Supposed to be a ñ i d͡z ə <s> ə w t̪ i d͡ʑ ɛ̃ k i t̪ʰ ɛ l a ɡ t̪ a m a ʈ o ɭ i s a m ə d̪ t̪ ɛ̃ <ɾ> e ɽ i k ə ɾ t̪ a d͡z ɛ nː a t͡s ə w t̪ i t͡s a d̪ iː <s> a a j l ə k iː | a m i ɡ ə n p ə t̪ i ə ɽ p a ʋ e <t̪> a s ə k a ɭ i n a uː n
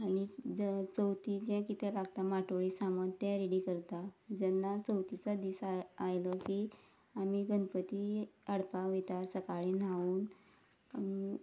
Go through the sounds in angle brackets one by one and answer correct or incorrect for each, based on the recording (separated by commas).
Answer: incorrect, correct, correct, correct